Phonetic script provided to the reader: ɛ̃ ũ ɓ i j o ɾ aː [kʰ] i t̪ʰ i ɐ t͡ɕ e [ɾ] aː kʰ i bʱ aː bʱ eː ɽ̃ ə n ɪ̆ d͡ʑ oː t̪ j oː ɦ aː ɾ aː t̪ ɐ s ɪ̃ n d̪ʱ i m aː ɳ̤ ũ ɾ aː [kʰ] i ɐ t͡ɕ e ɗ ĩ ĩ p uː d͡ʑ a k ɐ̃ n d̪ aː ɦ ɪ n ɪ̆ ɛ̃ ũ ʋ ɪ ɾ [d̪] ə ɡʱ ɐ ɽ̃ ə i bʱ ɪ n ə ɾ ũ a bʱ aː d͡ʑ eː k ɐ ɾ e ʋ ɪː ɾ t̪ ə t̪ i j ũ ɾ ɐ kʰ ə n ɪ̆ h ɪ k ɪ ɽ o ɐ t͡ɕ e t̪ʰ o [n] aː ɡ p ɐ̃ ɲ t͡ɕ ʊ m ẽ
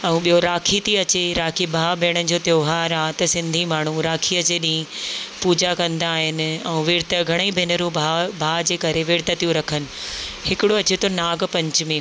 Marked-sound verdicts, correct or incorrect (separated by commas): correct, correct, correct, incorrect, correct